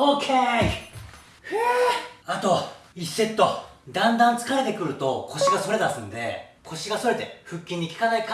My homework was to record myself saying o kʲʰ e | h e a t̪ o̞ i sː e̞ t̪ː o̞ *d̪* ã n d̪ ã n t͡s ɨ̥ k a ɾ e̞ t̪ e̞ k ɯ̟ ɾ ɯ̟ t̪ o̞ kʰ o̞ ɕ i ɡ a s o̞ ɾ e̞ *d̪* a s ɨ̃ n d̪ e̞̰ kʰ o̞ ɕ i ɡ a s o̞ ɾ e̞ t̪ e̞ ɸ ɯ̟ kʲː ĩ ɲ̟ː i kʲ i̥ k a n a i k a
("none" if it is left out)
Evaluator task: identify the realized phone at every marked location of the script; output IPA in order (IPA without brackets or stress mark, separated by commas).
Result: d̪, d̪